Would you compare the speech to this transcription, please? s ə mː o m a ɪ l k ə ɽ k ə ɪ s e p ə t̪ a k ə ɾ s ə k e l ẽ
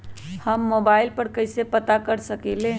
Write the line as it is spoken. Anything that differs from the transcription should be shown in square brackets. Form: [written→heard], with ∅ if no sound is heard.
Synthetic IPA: [s→h] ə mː o [m→b] a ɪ l [k→p] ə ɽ k ə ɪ s e p ə t̪ a k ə ɾ s ə k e l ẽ